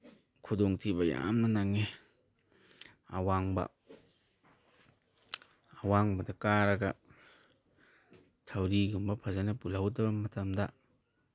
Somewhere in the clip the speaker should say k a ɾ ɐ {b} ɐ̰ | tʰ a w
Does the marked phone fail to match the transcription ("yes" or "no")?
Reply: yes